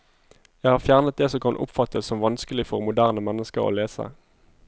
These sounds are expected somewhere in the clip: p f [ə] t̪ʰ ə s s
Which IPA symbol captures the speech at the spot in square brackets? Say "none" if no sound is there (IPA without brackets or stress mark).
ɑ